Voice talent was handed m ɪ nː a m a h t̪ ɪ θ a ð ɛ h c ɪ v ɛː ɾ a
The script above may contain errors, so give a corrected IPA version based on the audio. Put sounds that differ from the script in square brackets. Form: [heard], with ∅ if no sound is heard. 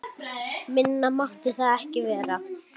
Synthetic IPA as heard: m ɪ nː a m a h t̪ ɪ θ a ð ɛ h c ɪ v ɛː ɾ a